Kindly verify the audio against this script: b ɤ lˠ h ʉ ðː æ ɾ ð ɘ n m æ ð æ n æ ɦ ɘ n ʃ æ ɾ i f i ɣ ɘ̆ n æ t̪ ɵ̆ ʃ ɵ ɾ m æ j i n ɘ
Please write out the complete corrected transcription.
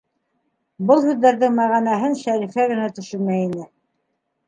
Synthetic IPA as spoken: b ɤ lˠ h ʉ ðː æ ɾ ð ɘ ŋ m æ ʁ æ n æ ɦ ɘ n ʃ æ ɾ i f æ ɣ ɘ̆ n æ t̪ ɵ̆ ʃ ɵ ɾ m æ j i n ɘ